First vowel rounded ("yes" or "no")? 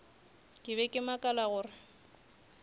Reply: no